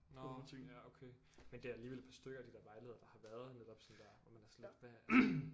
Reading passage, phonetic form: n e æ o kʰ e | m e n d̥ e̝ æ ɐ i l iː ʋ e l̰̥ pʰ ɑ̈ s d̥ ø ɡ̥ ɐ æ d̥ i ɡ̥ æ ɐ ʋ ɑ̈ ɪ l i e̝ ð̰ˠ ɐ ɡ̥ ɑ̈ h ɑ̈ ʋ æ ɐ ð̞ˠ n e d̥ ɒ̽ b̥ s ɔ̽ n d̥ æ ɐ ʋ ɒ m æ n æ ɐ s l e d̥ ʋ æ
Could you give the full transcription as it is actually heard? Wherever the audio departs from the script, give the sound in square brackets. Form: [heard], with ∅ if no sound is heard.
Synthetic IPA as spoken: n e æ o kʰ e | m e n d̥ e̝ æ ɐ [æ] l iː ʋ e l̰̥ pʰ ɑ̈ s d̥ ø ɡ̥ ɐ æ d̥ i [d̥] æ ɐ ʋ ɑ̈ ɪ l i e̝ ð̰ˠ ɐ [d̥] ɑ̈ h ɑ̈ ʋ æ ɐ ð̞ˠ n e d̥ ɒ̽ b̥ s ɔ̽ n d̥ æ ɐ ʋ ɒ m æ n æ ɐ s l e d̥ ʋ æ